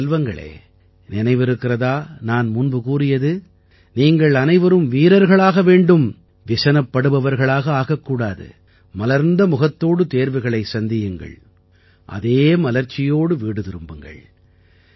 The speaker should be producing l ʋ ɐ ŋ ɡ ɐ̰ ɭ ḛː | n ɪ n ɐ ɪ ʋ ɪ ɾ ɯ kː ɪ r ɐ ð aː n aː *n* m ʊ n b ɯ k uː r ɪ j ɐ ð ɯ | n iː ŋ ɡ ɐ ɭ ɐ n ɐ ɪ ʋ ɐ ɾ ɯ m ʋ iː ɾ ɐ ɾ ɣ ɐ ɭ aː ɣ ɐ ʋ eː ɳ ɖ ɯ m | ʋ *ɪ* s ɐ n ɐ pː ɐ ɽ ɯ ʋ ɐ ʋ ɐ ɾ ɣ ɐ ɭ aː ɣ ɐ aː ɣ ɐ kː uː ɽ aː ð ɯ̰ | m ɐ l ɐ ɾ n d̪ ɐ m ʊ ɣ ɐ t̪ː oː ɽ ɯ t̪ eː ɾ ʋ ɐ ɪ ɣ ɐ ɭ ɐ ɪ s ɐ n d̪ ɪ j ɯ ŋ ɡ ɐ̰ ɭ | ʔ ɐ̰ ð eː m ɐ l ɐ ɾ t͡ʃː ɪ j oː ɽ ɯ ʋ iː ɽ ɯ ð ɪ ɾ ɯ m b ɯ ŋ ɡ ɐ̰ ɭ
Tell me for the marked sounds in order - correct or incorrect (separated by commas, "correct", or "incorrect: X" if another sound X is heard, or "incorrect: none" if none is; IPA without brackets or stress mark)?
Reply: correct, correct